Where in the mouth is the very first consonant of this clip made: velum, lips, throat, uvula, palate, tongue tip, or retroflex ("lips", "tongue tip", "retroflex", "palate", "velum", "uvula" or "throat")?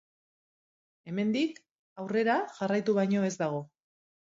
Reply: lips